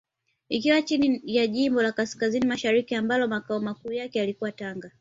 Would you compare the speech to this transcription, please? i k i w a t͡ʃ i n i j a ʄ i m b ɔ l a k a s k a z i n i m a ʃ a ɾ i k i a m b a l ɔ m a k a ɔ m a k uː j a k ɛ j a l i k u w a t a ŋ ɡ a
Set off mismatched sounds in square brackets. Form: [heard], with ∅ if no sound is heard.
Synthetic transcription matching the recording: i k i w a t͡ʃ i n i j a ʄ i m b ɔ l a k a s k a z i n i m a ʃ a ɾ i k i a m b a l ɔ m a k a ɔ m a k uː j a k ɛ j a l i k u w a t a ŋ ɡ a